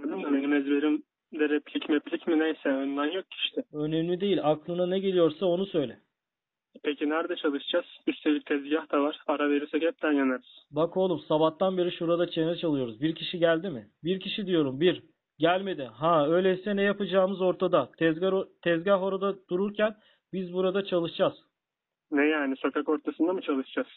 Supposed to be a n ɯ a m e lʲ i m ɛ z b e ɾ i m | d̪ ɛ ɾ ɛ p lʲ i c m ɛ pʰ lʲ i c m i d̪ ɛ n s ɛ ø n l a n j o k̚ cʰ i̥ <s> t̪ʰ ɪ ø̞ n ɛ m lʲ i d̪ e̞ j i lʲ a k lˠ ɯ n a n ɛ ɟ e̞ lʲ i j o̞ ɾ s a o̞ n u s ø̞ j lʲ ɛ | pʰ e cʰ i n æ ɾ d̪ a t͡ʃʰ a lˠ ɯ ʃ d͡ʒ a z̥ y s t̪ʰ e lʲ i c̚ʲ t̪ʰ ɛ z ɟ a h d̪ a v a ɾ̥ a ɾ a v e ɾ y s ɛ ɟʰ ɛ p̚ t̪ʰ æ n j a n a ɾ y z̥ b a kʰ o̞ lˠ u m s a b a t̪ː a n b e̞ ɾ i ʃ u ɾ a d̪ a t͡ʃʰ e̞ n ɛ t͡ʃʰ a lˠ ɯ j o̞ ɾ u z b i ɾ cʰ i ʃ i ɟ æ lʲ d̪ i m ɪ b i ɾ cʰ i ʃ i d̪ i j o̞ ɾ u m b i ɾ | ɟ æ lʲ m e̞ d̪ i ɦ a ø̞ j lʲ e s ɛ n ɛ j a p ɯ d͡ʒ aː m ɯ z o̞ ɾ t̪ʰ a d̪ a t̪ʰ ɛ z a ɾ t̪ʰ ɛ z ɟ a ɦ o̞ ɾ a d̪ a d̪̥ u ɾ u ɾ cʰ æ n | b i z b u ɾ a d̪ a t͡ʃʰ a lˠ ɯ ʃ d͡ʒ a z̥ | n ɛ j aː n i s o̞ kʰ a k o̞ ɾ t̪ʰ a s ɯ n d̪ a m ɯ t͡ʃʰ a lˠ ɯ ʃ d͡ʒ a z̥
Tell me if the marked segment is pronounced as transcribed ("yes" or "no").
no